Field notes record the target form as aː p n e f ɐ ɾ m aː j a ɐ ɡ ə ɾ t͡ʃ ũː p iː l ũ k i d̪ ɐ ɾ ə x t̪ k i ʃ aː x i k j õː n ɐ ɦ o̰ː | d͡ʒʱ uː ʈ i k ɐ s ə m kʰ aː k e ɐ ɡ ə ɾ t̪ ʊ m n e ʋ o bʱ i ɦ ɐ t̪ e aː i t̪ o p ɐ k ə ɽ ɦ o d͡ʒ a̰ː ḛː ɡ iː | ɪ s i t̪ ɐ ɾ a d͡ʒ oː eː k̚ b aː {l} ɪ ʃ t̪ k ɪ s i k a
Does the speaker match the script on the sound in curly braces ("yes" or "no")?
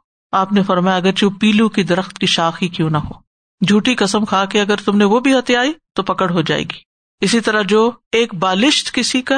yes